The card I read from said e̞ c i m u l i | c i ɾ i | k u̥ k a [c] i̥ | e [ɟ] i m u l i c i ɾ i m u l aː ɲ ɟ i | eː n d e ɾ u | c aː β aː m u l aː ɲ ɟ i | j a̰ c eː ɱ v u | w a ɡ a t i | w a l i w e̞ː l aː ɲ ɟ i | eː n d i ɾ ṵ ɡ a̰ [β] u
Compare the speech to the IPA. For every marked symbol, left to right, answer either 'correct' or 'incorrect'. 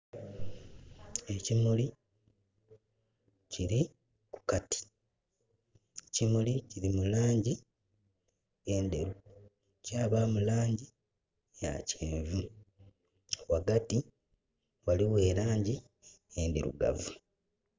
incorrect, incorrect, incorrect

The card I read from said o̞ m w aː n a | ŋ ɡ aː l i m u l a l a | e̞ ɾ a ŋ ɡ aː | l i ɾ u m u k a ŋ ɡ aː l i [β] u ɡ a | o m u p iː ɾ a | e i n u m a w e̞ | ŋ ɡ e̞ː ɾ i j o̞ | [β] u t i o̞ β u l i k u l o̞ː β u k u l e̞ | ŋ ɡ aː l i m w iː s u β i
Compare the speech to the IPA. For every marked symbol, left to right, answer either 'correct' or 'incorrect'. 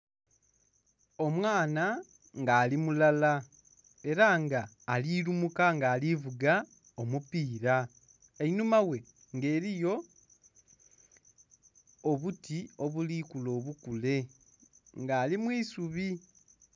incorrect, correct

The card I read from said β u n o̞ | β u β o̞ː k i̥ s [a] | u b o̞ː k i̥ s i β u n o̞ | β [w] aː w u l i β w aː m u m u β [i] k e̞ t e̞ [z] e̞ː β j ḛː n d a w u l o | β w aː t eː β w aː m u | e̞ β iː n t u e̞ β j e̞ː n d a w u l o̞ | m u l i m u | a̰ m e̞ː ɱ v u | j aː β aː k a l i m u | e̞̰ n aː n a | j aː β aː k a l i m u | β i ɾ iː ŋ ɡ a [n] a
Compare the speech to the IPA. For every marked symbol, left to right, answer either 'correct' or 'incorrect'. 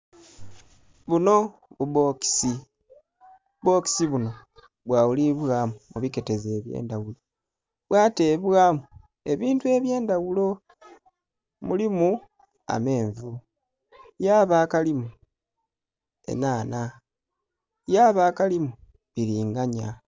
incorrect, correct, correct, correct, incorrect

